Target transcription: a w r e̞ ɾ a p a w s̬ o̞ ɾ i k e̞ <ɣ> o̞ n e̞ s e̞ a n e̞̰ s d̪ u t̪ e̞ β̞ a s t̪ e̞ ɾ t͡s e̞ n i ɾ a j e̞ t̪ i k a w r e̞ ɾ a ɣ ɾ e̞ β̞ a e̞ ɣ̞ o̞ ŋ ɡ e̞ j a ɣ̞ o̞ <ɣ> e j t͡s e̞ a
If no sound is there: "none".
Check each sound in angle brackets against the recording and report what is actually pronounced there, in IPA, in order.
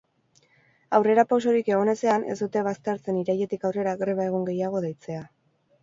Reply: ɣ, ð

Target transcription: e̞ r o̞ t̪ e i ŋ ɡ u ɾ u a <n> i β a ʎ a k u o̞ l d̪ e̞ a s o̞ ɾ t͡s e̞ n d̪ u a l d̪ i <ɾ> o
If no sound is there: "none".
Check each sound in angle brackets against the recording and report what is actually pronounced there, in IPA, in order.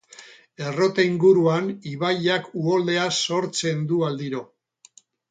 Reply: n, ɾ

